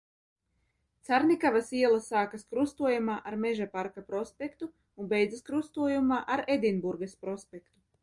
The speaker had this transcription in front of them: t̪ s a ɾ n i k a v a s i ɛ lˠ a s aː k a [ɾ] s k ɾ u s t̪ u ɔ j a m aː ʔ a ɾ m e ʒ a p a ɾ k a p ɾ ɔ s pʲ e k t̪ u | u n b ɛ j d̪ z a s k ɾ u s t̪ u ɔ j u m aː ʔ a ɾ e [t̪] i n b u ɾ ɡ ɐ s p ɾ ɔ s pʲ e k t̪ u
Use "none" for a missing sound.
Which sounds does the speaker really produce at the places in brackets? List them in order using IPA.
none, d̪

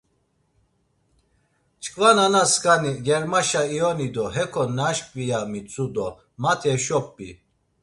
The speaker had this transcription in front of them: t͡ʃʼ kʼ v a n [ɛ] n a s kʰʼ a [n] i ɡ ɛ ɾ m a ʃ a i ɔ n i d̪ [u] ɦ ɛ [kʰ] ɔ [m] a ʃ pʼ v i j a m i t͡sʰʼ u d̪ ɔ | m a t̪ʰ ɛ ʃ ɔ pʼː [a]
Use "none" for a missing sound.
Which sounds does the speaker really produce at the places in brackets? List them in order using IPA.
a, n, ɔ, kʰ, n, i

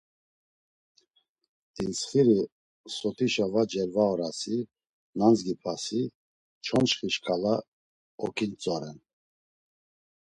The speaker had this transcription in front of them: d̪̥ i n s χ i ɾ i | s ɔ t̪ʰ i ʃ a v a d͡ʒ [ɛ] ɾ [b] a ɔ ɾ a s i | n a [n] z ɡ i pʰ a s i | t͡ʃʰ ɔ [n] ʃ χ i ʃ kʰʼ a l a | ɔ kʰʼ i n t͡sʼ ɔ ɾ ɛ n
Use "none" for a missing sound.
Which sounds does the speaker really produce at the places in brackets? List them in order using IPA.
ɛ, v, n, n

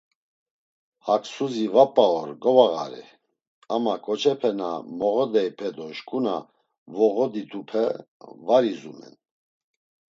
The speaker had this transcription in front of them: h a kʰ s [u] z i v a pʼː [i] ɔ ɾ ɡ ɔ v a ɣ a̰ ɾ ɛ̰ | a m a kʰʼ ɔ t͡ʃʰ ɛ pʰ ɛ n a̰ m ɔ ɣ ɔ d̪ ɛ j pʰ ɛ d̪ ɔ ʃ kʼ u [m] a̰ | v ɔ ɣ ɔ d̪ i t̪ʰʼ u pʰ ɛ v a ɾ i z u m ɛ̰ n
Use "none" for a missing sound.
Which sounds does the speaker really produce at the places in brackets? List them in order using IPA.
u, a, n

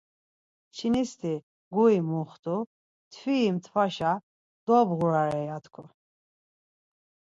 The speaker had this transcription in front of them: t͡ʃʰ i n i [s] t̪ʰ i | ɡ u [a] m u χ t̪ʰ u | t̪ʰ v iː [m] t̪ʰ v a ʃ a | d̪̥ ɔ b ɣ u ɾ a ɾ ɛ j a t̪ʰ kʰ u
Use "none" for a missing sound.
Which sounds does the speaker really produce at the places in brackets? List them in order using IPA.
s, i, m

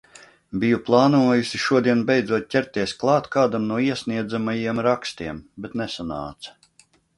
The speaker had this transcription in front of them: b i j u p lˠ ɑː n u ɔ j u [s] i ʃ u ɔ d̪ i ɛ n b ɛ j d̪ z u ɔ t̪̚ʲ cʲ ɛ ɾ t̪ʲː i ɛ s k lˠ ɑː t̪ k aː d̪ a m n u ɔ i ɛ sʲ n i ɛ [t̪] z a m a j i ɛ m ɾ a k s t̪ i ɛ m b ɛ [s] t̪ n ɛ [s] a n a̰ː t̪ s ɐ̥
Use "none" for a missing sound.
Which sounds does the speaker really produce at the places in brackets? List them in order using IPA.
s, d̪, none, s

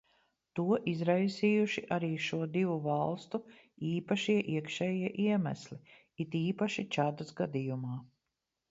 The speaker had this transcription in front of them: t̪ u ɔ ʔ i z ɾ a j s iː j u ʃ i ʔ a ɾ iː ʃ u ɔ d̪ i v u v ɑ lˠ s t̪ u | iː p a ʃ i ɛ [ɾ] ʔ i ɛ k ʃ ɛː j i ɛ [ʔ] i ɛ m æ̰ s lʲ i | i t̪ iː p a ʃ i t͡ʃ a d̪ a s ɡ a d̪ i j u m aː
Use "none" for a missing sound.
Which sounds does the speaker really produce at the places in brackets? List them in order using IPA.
none, ʔ

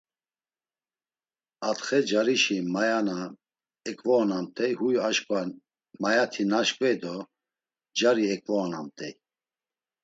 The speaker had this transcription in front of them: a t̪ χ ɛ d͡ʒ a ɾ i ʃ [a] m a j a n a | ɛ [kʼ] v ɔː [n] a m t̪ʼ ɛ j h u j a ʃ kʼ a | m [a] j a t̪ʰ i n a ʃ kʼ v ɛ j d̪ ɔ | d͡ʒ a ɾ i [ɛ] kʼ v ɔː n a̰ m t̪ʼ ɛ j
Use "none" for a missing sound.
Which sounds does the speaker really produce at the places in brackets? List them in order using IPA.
i, kʼ, n, a, ɛ

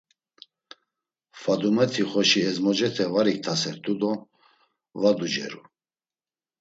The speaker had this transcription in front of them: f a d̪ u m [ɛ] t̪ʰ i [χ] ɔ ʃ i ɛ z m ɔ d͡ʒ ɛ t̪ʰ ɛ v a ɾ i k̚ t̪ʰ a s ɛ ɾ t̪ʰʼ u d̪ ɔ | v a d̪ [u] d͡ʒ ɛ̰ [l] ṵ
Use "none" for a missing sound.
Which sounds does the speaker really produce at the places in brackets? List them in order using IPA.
ɛ, χ, u, ɾ

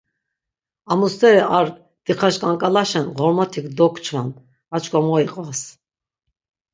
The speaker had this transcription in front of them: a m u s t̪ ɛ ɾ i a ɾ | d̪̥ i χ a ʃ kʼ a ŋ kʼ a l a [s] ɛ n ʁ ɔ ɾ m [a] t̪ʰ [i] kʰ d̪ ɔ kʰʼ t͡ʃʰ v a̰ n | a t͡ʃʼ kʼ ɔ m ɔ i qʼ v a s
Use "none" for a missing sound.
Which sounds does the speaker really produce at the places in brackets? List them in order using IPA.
ʃ, a, i

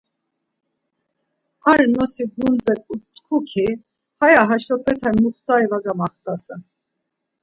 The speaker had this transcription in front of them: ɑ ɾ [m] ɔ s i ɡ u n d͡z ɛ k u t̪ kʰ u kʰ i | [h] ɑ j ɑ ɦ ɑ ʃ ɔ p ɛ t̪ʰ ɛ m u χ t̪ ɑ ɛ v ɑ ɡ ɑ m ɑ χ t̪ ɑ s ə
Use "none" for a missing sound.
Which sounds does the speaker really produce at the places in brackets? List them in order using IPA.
n, h

